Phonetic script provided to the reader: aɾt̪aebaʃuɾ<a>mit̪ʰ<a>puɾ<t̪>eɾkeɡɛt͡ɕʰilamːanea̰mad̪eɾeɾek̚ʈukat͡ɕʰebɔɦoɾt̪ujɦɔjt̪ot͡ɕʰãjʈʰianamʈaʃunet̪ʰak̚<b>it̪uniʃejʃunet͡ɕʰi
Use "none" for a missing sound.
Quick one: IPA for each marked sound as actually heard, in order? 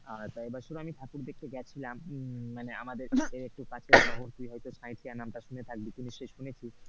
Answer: a, a, d̪, b

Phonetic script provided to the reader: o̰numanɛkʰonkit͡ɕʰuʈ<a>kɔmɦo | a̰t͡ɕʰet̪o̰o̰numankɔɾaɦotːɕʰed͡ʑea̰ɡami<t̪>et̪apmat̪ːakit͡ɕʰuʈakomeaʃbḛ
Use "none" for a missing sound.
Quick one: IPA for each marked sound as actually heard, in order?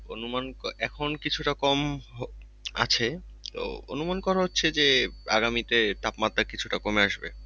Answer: a, t̪

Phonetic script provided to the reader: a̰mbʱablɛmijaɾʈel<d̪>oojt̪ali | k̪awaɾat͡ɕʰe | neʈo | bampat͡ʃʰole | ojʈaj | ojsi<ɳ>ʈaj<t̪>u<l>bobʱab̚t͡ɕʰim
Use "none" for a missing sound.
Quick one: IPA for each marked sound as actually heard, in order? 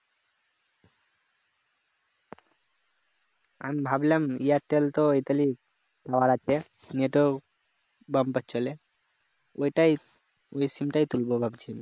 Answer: t̪, m, t̪, l

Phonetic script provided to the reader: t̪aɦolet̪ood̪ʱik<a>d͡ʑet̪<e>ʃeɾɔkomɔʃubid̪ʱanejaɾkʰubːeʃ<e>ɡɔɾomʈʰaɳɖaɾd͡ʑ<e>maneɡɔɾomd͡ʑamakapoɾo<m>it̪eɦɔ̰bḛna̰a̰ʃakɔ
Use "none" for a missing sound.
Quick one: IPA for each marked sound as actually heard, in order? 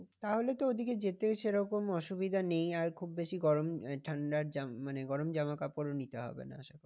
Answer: e, e, i, a, n

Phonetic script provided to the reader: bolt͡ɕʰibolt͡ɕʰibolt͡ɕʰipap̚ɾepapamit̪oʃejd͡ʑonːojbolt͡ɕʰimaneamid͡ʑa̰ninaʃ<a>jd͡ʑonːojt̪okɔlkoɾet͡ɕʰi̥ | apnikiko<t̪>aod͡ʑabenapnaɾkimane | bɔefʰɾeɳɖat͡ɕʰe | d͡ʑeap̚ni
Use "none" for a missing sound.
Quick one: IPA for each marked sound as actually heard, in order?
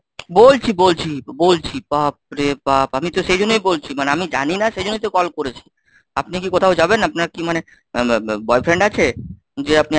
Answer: e, t̪ʰ

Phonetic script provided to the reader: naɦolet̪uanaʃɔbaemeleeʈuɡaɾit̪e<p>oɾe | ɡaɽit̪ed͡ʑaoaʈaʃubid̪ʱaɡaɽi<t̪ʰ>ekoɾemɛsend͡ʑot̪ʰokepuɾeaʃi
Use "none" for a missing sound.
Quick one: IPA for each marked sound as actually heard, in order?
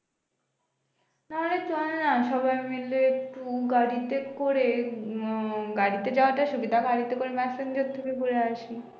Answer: k, t̪

